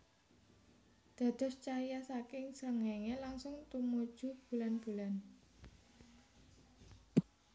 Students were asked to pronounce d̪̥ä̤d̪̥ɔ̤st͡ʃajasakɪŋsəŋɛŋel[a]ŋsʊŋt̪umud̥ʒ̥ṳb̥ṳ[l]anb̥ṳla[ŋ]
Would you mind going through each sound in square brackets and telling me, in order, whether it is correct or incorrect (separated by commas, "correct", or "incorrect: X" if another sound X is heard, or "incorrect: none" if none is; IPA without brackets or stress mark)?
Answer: correct, correct, incorrect: n